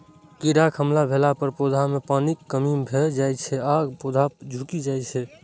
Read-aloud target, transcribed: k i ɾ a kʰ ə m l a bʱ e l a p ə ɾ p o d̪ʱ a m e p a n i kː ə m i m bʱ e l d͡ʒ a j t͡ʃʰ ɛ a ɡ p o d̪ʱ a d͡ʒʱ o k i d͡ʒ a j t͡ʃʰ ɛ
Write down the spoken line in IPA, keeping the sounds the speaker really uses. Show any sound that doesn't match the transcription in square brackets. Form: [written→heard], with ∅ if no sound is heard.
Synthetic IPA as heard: k i ɾ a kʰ ə m l a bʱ e l a p ə ɾ p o d̪ʱ a m e p a n i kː ə m i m bʱ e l d͡ʒ a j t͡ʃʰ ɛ a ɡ p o d̪ʱ a d͡ʒʱ [o→u] k i d͡ʒ a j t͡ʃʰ ɛ